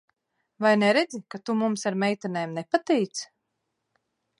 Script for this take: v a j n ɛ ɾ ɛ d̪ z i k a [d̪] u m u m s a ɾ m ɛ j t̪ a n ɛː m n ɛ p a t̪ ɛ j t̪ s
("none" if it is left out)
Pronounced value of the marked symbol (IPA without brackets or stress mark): t̪